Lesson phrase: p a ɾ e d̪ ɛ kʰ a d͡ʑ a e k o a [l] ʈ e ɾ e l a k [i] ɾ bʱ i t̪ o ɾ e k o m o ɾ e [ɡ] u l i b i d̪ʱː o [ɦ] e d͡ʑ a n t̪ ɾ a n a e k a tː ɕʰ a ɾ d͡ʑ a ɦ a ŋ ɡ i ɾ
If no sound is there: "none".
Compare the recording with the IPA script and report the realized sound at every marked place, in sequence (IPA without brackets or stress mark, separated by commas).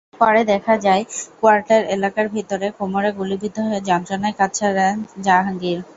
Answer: ɾ, a, ɡ, ɦ